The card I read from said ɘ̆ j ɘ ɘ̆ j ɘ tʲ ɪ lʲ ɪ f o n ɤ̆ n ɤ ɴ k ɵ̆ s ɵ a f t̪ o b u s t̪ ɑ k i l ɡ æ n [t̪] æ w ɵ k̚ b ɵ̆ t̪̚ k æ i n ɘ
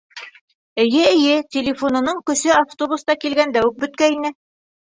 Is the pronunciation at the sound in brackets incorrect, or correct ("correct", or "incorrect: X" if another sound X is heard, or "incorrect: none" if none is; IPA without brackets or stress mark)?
incorrect: d̪